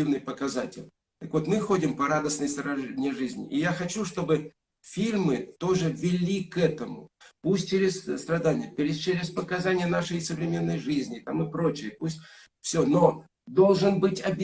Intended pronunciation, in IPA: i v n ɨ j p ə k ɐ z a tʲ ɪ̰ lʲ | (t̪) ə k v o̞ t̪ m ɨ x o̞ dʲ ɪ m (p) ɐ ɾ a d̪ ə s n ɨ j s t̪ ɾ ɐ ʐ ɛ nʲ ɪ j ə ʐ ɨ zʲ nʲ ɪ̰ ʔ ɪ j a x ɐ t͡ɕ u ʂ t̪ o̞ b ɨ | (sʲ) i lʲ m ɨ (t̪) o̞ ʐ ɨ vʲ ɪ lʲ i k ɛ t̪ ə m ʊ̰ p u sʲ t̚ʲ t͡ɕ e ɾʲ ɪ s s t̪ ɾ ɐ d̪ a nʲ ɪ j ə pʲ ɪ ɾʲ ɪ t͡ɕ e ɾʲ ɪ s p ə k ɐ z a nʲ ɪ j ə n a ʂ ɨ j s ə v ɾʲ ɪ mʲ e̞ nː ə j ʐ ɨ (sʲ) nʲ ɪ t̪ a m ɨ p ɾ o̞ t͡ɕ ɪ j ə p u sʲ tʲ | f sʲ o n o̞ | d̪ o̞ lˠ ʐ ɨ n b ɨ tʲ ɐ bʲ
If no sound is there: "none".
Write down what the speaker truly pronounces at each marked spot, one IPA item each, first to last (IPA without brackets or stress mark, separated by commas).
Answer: t̪, p, fʲ, t̪, zʲ